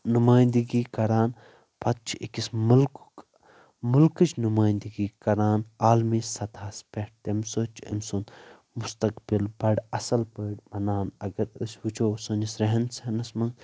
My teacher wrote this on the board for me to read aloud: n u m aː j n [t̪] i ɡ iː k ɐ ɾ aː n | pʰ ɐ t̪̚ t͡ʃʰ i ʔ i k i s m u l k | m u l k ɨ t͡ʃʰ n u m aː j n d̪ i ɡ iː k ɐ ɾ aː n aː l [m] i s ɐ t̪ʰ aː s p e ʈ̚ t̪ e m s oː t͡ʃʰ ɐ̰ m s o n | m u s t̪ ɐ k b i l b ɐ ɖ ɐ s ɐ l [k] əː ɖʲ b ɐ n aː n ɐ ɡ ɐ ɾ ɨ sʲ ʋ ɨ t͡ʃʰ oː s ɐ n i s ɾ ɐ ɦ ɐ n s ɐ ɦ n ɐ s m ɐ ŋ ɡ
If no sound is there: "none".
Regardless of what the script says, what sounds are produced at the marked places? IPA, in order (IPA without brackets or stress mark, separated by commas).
d̪, m, p